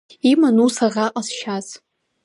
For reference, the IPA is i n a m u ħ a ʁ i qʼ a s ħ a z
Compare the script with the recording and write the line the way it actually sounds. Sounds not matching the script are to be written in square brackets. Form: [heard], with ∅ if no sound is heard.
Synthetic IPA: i [m] a [n] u [s] a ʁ [a] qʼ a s [ʃ] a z